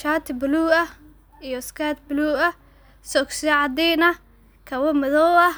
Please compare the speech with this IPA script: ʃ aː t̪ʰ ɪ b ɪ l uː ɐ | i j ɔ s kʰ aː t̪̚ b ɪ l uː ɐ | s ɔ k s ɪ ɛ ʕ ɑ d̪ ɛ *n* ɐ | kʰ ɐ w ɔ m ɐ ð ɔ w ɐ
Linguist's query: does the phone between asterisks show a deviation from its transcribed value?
no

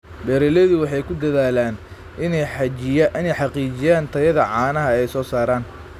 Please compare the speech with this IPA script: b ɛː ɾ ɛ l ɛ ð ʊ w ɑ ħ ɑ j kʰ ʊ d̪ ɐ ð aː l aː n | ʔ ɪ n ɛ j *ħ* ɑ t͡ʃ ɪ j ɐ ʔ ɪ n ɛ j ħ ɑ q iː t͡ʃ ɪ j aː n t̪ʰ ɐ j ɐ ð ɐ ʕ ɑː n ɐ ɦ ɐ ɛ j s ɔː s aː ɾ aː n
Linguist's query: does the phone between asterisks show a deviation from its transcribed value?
no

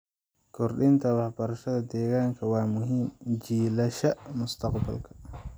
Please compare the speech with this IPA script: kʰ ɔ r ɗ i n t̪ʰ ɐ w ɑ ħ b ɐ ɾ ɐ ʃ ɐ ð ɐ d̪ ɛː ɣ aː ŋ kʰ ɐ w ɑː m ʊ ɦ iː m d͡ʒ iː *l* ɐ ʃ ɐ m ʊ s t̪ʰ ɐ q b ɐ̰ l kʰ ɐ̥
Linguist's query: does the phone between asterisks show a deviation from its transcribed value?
no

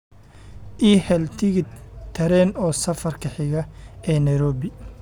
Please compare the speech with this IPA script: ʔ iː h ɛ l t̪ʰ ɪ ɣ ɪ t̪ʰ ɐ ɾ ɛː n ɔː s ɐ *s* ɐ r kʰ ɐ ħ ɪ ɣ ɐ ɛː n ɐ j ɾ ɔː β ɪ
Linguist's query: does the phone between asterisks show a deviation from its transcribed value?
yes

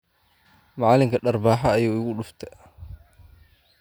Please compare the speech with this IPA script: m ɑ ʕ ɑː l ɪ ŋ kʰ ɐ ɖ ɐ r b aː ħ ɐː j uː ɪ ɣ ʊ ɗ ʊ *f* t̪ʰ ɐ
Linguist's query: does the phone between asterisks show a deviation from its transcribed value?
no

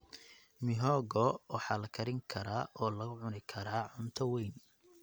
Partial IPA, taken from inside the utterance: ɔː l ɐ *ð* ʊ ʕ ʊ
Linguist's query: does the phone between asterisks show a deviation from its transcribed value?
yes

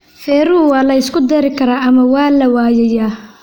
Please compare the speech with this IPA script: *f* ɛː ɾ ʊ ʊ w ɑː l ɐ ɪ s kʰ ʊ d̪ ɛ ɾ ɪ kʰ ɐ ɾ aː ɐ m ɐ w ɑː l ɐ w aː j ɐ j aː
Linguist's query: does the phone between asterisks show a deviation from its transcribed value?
no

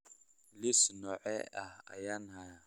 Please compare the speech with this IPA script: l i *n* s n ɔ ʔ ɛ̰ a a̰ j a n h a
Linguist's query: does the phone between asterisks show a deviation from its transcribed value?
yes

